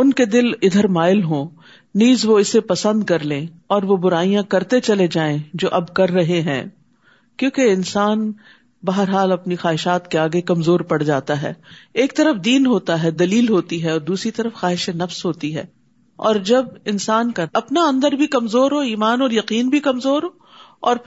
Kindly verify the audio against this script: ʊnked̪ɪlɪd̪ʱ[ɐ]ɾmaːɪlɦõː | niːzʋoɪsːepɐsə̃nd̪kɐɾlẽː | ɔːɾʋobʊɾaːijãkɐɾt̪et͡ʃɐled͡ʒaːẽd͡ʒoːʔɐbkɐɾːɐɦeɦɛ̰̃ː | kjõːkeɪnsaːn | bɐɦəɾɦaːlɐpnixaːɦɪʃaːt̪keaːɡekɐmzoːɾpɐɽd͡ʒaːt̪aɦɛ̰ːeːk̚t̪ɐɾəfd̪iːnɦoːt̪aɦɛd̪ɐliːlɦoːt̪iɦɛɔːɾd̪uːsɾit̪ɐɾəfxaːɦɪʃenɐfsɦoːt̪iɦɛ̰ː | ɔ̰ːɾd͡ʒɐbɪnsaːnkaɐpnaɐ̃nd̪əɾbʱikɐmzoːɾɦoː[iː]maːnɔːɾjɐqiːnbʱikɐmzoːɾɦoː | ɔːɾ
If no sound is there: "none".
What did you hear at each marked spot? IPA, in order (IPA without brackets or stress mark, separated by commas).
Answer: ə, iː